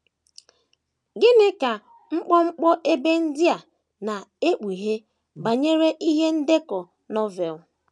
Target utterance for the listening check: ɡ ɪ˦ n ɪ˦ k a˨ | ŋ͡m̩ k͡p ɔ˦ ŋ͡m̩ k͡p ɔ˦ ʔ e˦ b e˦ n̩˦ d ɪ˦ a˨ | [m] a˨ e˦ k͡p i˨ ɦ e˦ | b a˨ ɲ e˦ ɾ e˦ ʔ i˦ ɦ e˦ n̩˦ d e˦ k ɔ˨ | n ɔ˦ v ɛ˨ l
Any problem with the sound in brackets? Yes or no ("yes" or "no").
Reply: yes